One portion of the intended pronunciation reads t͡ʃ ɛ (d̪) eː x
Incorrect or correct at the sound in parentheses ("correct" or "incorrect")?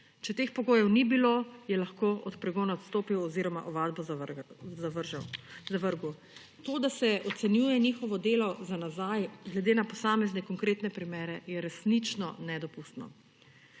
incorrect